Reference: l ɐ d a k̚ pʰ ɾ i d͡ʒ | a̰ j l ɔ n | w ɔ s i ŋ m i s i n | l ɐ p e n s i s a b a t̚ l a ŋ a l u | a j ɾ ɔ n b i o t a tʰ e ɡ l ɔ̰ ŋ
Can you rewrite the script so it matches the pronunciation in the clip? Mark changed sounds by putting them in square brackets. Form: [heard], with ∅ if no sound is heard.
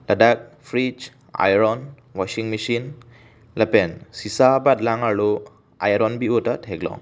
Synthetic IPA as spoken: l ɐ d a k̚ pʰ ɾ i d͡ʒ | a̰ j [ɾ] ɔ n | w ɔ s i ŋ m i s i n | l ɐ p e n s i s a b a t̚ l a ŋ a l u | a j ɾ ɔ n b i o t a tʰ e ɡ l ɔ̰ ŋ